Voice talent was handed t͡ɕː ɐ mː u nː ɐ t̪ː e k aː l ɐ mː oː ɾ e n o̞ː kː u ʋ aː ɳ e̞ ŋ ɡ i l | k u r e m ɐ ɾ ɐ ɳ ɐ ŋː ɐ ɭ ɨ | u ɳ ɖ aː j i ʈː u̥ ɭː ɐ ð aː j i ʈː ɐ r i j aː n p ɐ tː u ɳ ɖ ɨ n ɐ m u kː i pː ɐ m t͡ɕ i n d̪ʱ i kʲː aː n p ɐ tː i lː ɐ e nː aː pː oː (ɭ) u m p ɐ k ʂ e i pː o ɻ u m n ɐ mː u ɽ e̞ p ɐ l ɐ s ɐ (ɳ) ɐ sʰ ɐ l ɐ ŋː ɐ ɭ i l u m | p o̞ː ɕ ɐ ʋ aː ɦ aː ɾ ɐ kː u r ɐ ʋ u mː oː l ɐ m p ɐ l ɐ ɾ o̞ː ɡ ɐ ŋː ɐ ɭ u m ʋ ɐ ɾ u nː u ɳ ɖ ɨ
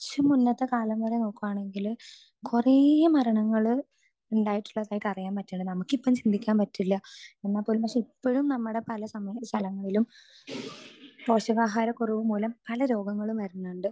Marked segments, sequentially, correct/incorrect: incorrect: l, incorrect: m

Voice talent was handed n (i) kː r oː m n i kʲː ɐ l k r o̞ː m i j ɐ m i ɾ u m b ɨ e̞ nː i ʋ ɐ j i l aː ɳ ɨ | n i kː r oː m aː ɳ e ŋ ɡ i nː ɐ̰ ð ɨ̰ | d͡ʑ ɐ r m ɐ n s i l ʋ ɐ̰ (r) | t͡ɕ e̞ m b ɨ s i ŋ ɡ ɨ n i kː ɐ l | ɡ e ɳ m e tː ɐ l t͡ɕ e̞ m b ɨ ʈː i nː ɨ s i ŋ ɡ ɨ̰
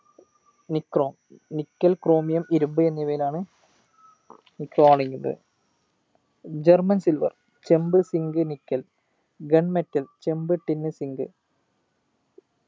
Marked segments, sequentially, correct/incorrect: correct, correct

